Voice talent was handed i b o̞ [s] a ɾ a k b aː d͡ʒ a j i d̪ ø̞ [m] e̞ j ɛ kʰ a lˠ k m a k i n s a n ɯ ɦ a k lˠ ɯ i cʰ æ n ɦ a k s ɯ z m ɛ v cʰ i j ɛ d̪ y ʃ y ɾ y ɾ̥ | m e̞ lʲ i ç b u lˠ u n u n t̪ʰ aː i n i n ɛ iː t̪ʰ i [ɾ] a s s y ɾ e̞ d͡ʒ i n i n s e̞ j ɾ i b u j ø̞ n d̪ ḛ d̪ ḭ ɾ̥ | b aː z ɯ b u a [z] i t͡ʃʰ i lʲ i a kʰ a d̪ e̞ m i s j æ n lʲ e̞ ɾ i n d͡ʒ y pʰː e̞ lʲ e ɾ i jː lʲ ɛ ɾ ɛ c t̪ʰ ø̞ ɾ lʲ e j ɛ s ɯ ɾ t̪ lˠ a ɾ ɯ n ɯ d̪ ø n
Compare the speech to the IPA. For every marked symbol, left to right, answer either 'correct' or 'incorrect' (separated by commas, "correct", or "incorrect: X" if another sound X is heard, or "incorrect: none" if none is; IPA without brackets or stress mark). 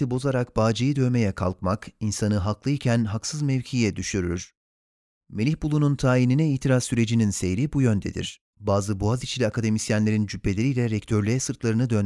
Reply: incorrect: z, correct, correct, correct